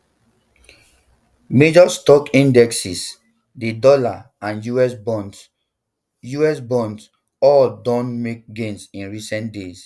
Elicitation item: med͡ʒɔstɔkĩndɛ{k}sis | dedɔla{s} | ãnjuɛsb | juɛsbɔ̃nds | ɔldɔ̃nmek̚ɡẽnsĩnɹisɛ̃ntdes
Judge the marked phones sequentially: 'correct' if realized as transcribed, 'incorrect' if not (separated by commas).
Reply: correct, incorrect